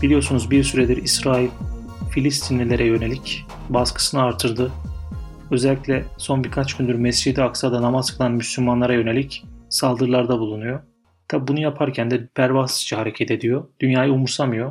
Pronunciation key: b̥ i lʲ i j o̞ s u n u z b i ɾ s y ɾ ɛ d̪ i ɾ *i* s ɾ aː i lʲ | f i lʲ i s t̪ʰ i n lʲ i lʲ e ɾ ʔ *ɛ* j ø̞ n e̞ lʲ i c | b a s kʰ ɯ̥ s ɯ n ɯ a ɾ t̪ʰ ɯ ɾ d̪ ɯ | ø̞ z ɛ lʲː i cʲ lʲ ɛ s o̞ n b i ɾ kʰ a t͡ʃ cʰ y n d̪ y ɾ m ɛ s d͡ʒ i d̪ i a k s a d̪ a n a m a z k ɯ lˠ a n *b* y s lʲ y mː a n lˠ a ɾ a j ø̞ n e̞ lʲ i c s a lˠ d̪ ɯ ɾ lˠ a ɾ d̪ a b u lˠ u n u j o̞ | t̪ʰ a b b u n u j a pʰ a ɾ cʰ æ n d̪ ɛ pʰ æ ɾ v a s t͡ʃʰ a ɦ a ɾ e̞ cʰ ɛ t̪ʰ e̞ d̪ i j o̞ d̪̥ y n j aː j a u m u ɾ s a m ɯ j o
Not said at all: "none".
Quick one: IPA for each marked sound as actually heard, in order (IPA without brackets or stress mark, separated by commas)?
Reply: i, ɛ, m